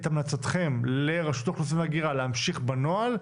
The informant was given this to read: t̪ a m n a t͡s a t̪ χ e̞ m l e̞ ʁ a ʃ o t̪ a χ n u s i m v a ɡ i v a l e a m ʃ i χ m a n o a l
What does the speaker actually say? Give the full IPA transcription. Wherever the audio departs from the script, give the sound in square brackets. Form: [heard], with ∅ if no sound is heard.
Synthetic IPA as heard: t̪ a m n a t͡s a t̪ χ e̞ m l e̞ ʁ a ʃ [u] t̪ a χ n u s i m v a ɡ i [ʁ] a l e a m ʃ i χ [b] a n o a l